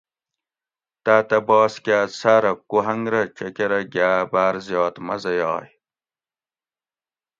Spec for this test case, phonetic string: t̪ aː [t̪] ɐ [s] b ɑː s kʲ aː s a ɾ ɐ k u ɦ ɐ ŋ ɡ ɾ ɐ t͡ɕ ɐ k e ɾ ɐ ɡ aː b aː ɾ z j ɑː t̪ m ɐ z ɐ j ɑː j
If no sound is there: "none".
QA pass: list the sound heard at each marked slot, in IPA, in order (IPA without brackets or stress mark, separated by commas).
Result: t̪, none